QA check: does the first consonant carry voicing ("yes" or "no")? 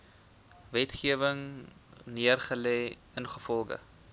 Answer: yes